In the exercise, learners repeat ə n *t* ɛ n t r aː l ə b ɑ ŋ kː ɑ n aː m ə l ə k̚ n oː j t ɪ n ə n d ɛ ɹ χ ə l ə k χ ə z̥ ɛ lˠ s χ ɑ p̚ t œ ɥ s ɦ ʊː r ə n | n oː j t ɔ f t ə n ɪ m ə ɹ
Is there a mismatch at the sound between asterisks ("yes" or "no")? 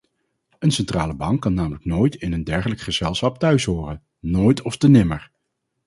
yes